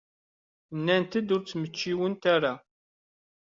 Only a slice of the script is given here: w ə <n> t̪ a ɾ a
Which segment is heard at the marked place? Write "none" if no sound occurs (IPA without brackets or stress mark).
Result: n